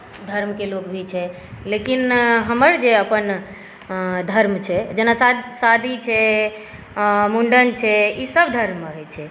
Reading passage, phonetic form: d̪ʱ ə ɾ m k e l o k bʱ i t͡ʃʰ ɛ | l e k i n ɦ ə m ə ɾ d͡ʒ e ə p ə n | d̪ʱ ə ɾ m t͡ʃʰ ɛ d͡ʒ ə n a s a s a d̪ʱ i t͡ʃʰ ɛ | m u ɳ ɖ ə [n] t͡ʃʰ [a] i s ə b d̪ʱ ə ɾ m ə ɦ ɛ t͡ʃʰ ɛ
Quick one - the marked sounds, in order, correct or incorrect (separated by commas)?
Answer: correct, incorrect